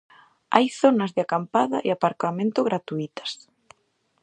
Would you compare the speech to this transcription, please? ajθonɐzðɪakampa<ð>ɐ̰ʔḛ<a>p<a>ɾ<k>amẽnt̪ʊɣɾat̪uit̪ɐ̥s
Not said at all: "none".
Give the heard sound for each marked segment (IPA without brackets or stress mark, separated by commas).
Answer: ð, a, a, k